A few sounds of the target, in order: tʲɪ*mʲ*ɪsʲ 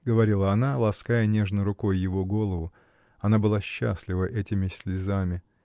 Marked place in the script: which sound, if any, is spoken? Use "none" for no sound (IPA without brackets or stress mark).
mʲ